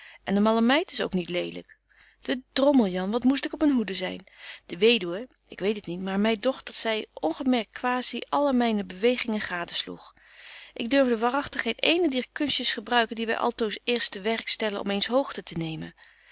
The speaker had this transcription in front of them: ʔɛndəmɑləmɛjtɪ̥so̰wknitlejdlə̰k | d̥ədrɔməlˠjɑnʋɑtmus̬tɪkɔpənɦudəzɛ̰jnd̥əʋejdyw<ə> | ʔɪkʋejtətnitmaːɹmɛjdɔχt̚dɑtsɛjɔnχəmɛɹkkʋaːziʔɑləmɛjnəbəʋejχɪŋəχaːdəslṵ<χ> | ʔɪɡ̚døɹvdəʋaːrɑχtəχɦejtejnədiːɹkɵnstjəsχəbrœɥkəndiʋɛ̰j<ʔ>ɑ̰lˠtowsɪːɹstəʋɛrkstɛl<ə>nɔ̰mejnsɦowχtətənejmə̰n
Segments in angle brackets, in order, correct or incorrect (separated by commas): correct, correct, correct, correct